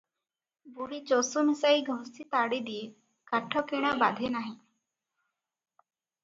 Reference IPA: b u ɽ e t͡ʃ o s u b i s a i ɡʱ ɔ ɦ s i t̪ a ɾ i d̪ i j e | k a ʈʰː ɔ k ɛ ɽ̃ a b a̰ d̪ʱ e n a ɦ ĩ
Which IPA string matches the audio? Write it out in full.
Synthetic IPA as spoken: b u ɽ i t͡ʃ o s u m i s a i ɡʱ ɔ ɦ s i t̪ a ɽ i d̪ i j e | k a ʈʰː ɔ k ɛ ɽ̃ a b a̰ d̪ʱ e n a ɦ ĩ